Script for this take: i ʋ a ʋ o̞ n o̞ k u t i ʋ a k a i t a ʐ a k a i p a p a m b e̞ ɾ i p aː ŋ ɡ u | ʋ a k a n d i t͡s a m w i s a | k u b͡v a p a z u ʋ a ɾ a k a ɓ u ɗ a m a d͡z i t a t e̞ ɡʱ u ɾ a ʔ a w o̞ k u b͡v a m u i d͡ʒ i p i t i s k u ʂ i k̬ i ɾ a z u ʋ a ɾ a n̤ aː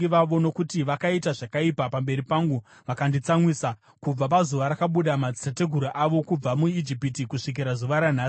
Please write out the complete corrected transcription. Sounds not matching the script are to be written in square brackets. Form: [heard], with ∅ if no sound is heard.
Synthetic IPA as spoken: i ʋ a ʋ o̞ n o̞ k u t i ʋ a k a i t a ʐ a k a i p a p a m b e̞ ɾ i p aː ŋ ɡ u | ʋ a k a n d i t͡s a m w i s a | k u b͡v a p a z u ʋ a ɾ a k a ɓ u ɗ a m a d͡z i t a t e̞ ɡʱ u ɾ a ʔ a [ʋ] o̞ k u b͡v a m u i d͡ʒ i p i t i [∅] k u ʂ i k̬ i ɾ a z u ʋ a ɾ a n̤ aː